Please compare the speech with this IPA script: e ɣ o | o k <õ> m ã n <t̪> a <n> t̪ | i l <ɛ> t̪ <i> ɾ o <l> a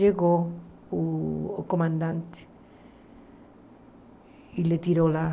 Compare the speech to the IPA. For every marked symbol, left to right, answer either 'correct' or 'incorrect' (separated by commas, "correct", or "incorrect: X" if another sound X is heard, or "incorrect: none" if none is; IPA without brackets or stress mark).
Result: incorrect: o, incorrect: d̪, correct, incorrect: e, correct, correct